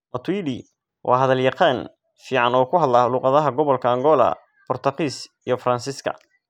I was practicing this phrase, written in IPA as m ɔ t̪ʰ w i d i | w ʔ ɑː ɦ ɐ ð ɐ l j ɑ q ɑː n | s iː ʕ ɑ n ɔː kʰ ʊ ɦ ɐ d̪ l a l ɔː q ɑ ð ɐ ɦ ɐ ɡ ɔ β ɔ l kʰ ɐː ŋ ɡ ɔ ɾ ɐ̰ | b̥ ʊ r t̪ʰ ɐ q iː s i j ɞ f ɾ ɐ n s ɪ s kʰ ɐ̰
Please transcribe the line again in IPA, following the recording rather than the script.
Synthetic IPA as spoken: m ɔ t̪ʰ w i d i | w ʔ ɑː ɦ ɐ ð ɐ l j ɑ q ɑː n | f iː ʕ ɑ n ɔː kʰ ʊ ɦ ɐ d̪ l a l uː q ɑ ð ɐ ɦ ɐ ɡ ɔ β ɔ l kʰ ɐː ŋ ɡ ɔ l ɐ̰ | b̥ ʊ r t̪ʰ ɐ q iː s i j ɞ f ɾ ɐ n s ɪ s kʰ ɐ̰